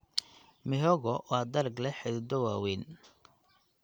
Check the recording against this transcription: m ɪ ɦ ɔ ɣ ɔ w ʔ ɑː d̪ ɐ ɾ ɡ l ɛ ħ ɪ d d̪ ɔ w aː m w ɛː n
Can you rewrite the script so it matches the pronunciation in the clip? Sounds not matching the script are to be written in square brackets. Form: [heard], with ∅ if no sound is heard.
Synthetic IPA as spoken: m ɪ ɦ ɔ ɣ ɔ w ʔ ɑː d̪ ɐ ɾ ɡ l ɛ ħ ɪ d d̪ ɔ w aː [∅] w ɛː n